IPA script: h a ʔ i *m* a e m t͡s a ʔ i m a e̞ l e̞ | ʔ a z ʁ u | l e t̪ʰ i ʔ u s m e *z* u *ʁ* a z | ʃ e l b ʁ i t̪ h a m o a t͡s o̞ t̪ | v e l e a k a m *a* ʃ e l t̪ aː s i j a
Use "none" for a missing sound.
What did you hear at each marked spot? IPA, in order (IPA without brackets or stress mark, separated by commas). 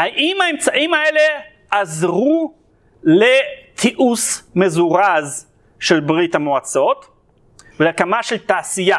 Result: m, z, ʁ, a